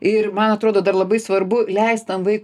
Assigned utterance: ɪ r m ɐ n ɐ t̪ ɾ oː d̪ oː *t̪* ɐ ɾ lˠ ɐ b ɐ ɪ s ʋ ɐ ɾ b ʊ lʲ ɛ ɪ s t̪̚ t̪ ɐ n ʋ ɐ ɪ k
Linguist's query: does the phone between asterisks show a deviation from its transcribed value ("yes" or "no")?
yes